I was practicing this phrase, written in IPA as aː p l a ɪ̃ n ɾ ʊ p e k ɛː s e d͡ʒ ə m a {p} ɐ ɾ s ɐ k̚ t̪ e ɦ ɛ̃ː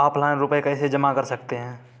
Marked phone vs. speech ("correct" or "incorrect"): incorrect